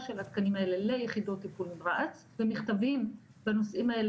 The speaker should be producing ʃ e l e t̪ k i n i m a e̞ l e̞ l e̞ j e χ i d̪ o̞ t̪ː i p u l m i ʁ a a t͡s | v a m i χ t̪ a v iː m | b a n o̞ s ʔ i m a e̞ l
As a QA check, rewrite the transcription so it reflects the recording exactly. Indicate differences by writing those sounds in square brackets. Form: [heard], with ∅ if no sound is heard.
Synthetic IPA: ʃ e l [a] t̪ k [a] n i m a e̞ l e̞ l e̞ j e χ i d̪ o̞ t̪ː i p u l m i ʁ a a t͡s | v [e] m i χ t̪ a v [i] m | b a n o̞ s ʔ i m a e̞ l